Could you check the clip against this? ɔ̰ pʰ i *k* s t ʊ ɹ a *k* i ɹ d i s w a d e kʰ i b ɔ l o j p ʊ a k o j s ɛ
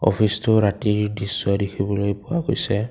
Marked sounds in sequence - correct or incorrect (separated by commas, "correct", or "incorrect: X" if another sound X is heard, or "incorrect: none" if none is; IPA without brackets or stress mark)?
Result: incorrect: none, incorrect: t